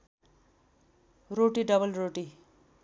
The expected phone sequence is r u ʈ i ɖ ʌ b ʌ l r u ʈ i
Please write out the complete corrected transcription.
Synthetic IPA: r o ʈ i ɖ ʌ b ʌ l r o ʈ i